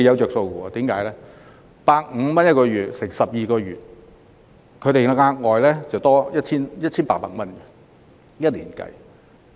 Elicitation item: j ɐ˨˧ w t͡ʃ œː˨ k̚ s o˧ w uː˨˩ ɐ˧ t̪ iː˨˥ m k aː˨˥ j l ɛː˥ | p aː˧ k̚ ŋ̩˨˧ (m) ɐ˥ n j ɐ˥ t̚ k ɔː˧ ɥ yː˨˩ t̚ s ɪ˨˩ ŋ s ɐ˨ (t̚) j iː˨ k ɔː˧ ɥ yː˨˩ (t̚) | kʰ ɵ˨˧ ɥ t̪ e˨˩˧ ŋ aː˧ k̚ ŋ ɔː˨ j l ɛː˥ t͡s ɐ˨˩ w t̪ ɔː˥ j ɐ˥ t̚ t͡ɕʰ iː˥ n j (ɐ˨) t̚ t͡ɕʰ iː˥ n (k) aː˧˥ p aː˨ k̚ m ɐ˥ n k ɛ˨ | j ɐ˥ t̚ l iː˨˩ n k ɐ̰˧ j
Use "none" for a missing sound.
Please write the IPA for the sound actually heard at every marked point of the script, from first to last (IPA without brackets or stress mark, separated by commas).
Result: m, p̚, t̚, ɐ˥, p